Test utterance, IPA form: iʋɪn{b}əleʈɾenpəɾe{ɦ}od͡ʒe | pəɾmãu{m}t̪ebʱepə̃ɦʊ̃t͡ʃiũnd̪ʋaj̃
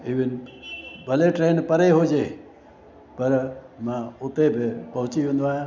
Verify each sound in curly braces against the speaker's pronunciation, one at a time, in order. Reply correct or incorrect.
correct, correct, incorrect: none

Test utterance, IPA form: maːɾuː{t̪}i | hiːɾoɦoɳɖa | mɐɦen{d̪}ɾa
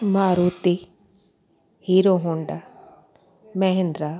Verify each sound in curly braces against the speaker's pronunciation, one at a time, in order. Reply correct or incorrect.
correct, correct

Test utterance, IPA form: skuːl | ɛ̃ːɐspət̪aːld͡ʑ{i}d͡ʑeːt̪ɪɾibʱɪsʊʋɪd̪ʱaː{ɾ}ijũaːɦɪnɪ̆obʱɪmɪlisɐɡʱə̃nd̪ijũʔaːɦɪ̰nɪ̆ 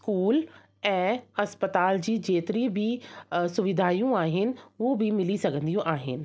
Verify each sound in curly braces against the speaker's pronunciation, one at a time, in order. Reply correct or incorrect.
incorrect: iː, incorrect: none

